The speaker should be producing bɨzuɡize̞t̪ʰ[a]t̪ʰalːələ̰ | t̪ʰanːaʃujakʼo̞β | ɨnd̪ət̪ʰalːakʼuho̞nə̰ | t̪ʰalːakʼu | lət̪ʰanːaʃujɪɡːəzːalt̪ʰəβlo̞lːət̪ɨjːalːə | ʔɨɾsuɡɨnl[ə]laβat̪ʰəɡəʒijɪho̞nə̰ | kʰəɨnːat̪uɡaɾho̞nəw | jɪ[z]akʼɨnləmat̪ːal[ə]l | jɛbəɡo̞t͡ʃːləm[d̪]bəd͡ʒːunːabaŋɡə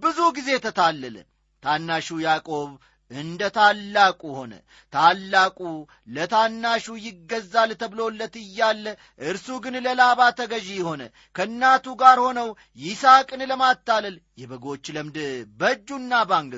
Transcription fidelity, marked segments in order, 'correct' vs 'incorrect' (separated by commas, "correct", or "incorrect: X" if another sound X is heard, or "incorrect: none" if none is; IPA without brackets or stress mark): incorrect: ə, correct, incorrect: s, correct, correct